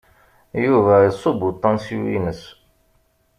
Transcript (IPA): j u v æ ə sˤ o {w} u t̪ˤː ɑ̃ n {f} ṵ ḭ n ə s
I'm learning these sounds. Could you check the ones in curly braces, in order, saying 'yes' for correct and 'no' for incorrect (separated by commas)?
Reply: no, no